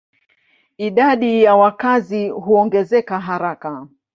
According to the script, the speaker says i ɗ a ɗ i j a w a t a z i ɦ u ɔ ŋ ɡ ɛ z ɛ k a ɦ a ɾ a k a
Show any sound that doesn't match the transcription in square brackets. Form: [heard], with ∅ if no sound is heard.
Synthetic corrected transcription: i ɗ a ɗ i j a w a [k] a z i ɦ u ɔ ŋ ɡ ɛ z ɛ k a ɦ a ɾ a k a

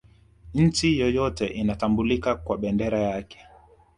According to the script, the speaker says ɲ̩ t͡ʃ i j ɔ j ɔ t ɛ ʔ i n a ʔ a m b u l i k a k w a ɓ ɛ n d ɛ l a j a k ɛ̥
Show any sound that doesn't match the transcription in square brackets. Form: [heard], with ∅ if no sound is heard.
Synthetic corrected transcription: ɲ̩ t͡ʃ i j ɔ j ɔ t ɛ ʔ i n a [t] a m b u l i k a k w a ɓ ɛ n d ɛ [ɾ] a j a k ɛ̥

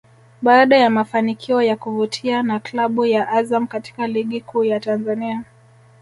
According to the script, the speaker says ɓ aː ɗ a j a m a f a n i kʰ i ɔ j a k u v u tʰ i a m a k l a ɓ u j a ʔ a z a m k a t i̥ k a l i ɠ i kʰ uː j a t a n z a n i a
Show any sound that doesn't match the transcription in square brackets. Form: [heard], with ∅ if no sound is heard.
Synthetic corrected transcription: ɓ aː ɗ a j a m a f a n i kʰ i ɔ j a k u v u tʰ i a [n] a k l a ɓ u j a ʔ a z a m k a t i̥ k a l i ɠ i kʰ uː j a t a n z a n i a

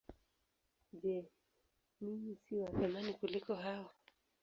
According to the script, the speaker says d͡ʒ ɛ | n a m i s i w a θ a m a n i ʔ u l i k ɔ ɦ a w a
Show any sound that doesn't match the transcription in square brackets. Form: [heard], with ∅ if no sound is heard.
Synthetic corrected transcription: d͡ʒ ɛ | n [i] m i s i w a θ a m a n i [k] u l i k ɔ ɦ a w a

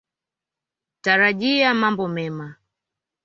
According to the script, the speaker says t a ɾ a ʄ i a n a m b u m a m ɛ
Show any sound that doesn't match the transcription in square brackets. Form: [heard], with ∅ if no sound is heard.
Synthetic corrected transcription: t a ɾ a ʄ i a [m] a m b [ɔ] m [ɛ] m [a]

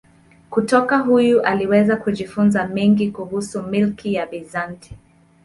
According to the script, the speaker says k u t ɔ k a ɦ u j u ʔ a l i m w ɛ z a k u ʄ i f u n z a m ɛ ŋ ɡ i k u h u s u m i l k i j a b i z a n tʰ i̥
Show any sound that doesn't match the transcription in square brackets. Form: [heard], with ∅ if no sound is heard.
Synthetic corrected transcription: k u t ɔ k a ɦ u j u ʔ a l i [∅] w ɛ z a k u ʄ i f u n z a m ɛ ŋ ɡ i k u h u s u m i l k i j a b i z a n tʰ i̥

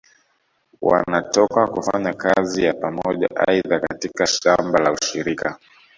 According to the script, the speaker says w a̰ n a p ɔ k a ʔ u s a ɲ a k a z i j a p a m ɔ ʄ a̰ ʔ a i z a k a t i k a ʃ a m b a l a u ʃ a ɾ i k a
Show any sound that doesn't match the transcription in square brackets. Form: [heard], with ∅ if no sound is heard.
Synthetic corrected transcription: w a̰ n a [t] ɔ k a [k] u [f] a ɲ a k a z i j a p a m ɔ ʄ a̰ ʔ a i [ð] a k a t i k a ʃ a m b a l a u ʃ [i] ɾ i k a

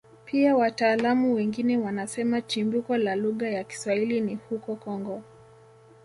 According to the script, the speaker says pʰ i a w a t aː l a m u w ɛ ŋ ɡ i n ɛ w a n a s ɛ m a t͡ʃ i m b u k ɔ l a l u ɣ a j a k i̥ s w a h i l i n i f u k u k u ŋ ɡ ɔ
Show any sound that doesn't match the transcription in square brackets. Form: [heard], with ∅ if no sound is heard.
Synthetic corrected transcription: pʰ i a w a t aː l a m u w ɛ ŋ ɡ i n ɛ w a n a s ɛ m a t͡ʃ i m b u k ɔ l a l u ɣ a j a k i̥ s w a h i l i n i [h] u k [ɔ] k [ɔ] ŋ ɡ ɔ

